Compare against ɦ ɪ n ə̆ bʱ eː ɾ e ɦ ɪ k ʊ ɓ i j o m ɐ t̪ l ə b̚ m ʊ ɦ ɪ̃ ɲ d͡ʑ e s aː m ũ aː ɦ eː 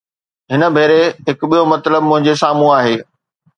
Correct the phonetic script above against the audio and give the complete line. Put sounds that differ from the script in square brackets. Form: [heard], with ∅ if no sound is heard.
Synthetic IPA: ɦ ɪ n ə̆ bʱ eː ɾ e ɦ ɪ k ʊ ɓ i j o m ɐ t̪ l ə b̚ m [ʊ̃] ɦ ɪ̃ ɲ d͡ʑ e s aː m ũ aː ɦ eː